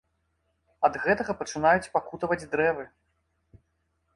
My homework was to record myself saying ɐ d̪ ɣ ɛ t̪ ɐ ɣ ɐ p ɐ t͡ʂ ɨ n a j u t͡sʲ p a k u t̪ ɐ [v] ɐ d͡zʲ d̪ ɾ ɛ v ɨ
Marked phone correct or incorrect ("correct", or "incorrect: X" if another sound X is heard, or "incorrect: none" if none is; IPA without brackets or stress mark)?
correct